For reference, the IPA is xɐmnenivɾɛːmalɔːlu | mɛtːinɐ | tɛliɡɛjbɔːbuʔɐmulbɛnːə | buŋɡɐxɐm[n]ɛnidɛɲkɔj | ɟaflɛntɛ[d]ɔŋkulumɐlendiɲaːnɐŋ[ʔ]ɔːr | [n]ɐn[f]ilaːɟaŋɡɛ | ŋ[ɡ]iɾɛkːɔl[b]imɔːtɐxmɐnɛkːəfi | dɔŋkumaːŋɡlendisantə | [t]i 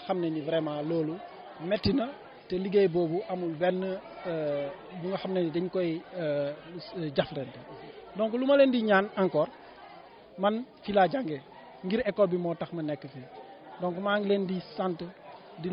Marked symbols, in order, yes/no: yes, yes, no, no, yes, yes, yes, no

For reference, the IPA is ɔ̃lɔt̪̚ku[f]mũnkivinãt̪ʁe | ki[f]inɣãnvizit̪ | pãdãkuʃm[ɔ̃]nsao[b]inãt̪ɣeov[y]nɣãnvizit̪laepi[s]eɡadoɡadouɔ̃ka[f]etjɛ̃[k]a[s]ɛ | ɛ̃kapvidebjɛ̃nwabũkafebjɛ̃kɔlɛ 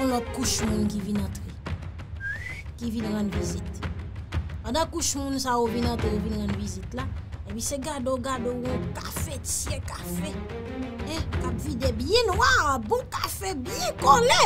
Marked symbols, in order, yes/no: no, no, no, no, no, yes, yes, yes, no

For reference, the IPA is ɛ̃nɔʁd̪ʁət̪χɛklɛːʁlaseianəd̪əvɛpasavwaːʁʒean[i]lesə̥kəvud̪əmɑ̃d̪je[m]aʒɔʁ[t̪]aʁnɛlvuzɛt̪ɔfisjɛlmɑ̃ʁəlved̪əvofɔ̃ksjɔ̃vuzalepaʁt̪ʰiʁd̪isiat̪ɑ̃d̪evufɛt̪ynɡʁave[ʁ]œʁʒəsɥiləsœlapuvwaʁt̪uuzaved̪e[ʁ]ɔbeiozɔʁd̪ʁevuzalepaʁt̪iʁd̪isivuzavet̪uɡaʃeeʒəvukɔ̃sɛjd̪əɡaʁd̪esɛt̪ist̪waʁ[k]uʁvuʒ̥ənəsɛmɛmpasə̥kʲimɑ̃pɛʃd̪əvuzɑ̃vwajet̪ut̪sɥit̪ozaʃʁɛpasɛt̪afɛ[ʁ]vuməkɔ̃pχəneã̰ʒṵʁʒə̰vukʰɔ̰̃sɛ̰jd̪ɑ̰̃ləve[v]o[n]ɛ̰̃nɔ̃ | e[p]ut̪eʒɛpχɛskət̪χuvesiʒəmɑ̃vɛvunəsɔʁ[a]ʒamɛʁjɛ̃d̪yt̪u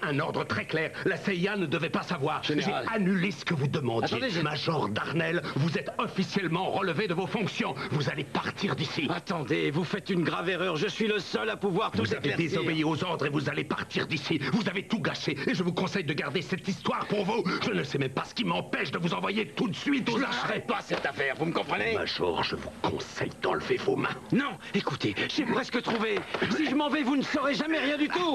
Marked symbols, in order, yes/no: no, yes, no, yes, no, no, yes, yes, no, no, no

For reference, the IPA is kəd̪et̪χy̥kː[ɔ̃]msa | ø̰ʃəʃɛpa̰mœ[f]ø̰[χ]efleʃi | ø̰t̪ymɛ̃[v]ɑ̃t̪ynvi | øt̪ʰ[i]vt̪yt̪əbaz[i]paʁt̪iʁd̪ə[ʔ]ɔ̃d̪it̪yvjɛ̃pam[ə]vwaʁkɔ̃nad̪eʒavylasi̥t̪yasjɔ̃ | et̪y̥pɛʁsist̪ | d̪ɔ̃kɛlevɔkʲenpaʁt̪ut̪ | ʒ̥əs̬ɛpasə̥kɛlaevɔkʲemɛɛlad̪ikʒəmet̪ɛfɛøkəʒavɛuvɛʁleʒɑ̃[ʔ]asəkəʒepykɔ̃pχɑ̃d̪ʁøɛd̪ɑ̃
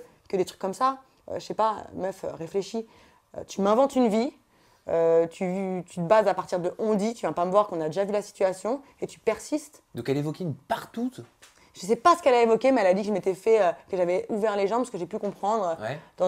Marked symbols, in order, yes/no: no, yes, no, yes, no, no, yes, yes, no

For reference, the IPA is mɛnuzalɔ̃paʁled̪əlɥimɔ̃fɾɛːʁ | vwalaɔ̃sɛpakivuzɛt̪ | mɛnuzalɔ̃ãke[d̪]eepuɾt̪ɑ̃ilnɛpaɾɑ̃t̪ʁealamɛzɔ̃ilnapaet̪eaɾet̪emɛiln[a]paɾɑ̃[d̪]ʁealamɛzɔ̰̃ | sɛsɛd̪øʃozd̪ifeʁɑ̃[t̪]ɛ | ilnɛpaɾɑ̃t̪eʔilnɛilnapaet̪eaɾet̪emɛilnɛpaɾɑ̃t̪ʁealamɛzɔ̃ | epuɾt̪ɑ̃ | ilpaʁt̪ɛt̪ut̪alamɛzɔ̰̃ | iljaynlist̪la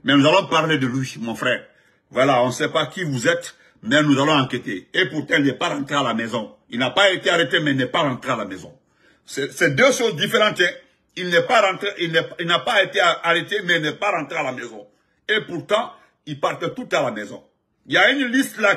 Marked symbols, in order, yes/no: no, no, no, yes

